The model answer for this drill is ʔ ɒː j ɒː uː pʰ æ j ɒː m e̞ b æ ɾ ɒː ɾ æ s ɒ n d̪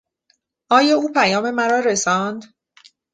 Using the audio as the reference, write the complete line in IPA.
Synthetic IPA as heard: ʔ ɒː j ɒː uː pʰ æ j ɒː m e̞ m æ ɾ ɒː ɾ e s ɒ n d̪